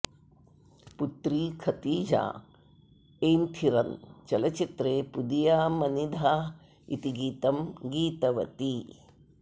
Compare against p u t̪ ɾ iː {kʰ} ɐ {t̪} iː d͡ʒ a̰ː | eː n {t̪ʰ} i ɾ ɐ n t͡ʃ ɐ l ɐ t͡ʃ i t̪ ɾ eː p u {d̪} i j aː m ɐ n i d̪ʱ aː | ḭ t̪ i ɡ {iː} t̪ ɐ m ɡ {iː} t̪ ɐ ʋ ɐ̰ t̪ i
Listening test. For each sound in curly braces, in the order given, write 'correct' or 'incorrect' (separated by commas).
correct, correct, correct, correct, correct, correct